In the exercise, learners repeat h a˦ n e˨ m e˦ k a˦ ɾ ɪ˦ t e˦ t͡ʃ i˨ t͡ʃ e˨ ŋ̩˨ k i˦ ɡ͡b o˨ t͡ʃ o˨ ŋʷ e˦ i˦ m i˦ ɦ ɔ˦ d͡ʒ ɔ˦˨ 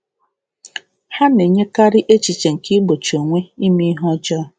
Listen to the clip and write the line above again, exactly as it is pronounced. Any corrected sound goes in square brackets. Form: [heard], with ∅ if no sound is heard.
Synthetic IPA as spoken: h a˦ n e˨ [ɲ] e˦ k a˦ ɾ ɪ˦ [ʔ] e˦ t͡ʃ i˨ t͡ʃ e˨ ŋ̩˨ k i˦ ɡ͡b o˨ t͡ʃ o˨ ŋʷ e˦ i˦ m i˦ ɦ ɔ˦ d͡ʒ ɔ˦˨